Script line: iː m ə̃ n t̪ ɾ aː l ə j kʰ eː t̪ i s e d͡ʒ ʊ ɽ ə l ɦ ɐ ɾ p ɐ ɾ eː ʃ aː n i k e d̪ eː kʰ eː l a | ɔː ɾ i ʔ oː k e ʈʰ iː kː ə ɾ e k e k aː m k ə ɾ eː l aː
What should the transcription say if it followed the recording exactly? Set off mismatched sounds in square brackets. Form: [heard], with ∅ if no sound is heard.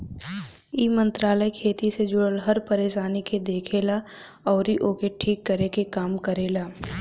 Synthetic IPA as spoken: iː m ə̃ n t̪ ɾ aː l ə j kʰ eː t̪ i s e d͡ʒ ʊ ɽ ə l ɦ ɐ ɾ p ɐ ɾ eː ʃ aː n i k e d̪ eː kʰ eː l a | ɔː ɾ i ʔ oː k e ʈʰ iː kː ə ɾ e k e k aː m k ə ɾ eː l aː